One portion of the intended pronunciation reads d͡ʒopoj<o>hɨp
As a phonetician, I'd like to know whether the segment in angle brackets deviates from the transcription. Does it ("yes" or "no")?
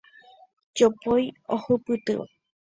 no